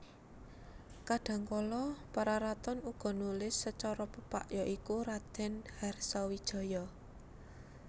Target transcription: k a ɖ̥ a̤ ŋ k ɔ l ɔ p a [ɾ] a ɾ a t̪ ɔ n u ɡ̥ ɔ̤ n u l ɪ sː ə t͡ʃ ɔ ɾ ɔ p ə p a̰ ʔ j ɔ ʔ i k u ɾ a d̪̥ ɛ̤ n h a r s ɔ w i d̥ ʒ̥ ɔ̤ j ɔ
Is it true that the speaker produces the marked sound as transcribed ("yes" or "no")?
yes